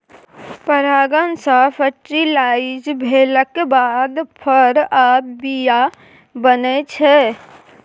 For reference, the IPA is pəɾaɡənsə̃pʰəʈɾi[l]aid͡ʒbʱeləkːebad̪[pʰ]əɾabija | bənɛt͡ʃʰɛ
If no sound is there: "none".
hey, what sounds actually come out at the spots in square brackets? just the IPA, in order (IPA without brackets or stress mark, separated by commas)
l, pʰ